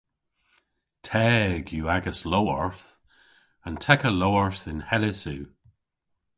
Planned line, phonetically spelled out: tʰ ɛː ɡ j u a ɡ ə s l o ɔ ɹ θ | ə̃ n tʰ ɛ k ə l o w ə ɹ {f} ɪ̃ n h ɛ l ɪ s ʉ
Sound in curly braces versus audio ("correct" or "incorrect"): incorrect